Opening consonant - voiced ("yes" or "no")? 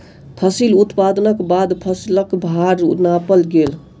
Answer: no